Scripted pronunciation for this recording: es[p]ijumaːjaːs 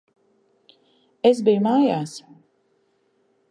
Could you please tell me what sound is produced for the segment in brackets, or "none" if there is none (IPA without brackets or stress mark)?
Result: b